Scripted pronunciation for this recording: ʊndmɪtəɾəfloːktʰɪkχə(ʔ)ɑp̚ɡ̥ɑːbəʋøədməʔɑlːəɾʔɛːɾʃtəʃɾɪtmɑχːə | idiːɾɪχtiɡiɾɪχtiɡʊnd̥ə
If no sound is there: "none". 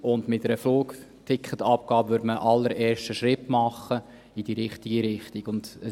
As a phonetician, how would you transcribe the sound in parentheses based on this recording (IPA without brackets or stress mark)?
t